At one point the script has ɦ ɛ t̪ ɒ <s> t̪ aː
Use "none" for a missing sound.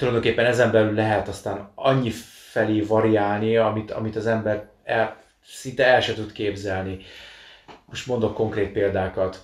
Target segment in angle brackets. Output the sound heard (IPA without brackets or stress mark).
s